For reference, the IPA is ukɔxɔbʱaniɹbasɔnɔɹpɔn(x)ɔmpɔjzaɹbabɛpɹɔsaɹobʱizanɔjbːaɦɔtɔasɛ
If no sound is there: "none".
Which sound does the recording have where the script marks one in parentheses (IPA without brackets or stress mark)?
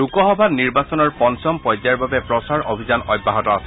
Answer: s